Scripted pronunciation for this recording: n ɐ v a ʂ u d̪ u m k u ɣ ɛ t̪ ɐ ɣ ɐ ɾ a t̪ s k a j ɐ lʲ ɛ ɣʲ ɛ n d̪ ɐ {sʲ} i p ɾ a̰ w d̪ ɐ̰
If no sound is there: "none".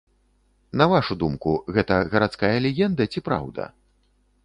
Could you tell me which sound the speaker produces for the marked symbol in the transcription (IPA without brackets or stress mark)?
t͡sʲ